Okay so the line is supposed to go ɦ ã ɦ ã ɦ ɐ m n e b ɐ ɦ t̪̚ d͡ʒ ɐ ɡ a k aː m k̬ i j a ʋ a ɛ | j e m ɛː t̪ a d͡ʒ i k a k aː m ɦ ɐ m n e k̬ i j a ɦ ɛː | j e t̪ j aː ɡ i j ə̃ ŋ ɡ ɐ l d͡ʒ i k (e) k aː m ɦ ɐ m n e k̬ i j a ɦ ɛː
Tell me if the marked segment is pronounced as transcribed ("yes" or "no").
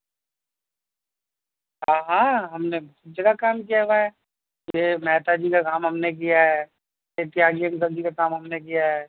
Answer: no